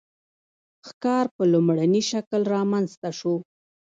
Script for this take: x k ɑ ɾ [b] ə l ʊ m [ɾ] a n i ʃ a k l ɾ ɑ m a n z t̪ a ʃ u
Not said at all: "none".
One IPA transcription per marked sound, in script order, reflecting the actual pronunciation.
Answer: p, ɽ

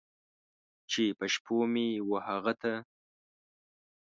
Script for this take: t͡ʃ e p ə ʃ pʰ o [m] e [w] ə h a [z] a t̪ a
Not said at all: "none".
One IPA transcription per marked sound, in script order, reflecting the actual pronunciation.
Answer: m, w, ɣ

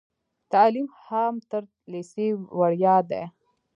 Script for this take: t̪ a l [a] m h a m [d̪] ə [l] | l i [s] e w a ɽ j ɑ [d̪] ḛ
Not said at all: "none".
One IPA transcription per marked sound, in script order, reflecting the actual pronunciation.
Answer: i, t̪, ɾ, s, d̪

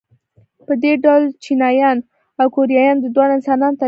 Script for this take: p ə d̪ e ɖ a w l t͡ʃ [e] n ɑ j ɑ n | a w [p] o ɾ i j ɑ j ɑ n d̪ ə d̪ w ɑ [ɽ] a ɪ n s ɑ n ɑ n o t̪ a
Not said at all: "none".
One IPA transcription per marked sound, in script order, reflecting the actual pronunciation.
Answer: i, k, ɽ

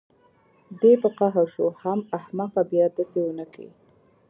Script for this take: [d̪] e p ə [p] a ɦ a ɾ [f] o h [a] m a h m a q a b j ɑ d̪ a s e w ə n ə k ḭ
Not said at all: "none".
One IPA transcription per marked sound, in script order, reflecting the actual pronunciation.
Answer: d̪, q, ʃ, a

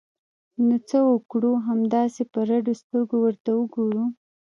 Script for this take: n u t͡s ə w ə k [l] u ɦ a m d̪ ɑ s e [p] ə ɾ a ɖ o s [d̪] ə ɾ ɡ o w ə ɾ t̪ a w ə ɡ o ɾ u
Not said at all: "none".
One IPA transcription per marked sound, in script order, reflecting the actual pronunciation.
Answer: ɽ, p, t̪

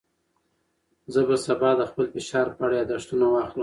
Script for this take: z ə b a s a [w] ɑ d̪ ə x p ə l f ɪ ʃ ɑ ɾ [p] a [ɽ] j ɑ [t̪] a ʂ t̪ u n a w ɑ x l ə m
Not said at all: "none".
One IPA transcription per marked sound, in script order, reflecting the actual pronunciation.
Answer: b, p, ɽ, d̪

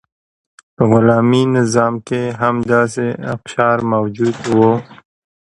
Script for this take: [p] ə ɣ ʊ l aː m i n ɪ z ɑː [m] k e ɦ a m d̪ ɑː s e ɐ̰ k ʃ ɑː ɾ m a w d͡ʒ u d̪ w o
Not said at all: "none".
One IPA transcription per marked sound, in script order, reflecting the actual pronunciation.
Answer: p, m

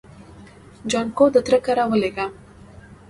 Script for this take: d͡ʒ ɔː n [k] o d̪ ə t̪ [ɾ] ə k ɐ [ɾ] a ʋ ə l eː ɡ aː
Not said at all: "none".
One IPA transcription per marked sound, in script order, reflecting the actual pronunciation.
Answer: k, ɾ, ɾ

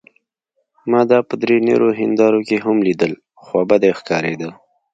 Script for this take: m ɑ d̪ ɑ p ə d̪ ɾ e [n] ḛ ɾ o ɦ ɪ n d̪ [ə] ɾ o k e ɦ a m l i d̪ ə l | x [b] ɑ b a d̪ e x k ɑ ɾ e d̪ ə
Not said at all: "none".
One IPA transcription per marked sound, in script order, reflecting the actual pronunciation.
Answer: n, ɑ, w

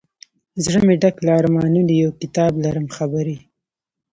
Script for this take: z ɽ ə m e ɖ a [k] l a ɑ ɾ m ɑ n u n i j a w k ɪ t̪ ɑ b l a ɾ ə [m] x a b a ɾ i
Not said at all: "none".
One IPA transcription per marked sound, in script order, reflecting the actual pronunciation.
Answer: k, m

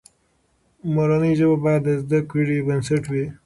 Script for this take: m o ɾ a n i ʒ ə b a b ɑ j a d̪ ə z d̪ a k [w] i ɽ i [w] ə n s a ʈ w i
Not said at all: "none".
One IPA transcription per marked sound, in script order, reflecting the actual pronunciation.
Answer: w, b

